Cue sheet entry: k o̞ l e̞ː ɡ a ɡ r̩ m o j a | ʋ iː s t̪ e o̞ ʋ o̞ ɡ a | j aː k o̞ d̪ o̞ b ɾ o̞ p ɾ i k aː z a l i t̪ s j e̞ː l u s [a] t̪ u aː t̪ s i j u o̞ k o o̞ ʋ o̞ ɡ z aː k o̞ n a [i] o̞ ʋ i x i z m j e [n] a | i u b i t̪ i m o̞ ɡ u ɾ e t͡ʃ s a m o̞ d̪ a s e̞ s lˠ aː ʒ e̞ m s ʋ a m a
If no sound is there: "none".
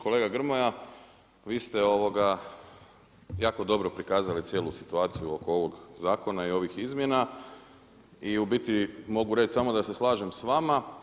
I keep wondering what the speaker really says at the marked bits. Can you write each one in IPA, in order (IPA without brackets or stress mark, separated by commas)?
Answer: i, i, n